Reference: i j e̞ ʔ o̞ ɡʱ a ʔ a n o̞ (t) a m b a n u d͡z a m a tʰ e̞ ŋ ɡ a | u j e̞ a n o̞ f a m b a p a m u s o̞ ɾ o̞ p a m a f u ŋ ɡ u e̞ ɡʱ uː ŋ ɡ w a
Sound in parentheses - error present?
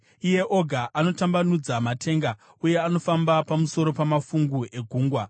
no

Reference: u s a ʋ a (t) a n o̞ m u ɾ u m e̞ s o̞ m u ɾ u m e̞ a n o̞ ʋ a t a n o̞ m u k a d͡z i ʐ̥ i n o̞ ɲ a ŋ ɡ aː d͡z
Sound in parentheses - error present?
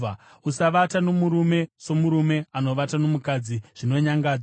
no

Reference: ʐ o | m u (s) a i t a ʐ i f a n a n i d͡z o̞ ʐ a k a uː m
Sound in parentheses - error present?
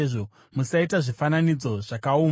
no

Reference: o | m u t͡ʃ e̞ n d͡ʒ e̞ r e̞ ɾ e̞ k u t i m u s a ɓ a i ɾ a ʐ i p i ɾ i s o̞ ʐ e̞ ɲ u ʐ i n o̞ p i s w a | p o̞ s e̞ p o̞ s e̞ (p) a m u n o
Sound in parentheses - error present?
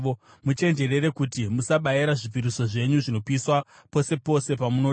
no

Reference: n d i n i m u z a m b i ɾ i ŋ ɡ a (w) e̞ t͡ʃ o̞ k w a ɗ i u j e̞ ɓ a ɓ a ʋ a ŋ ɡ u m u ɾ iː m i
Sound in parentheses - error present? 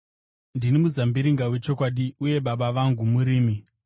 no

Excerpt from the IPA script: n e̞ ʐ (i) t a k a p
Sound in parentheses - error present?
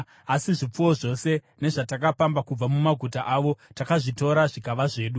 yes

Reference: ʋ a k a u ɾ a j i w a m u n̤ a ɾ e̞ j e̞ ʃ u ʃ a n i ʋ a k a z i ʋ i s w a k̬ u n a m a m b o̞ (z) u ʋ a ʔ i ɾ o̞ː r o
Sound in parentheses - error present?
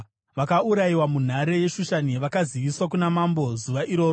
no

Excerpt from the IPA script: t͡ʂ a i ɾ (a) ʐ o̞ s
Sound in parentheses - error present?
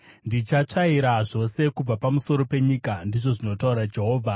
no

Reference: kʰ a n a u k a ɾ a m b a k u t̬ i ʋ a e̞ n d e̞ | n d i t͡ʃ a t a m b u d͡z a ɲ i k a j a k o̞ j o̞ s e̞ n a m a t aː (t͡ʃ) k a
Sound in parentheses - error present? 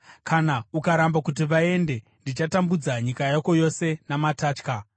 no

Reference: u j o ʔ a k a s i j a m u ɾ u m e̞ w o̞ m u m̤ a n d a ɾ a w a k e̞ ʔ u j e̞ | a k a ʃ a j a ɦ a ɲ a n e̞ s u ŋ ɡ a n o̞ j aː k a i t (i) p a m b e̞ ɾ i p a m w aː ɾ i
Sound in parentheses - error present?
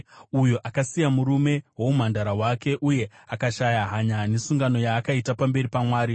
yes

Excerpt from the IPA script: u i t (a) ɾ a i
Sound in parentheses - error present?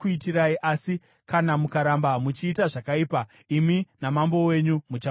yes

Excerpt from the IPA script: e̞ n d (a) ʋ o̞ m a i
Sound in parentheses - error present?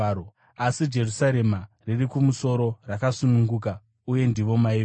yes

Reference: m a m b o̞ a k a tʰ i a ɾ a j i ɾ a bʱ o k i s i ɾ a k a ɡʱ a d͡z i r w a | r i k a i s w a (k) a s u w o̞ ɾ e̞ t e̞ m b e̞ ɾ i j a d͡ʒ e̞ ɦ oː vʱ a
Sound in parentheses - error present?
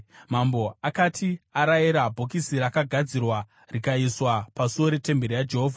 yes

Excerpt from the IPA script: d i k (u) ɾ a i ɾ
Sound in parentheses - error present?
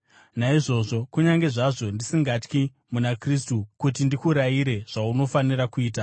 no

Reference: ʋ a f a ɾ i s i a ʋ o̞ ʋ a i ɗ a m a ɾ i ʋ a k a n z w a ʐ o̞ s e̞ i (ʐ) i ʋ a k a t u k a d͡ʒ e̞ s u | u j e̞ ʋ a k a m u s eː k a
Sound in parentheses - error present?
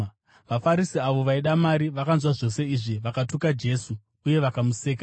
no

